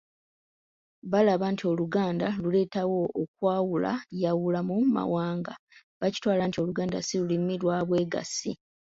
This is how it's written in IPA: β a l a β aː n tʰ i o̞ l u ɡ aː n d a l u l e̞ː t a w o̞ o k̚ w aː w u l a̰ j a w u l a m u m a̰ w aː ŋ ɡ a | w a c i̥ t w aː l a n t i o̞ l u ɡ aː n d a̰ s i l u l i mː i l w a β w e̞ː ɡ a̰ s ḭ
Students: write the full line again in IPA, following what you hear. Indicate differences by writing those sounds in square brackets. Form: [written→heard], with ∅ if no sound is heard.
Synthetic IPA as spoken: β a l a β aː n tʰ i o̞ l u ɡ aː n d a l u l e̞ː t a w o̞ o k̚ w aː w u l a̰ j a w u l a m u m a̰ w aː ŋ ɡ a | [w→β] a c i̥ t w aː l a n t i o̞ l u ɡ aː n d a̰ s i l u l i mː i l w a β w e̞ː ɡ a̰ s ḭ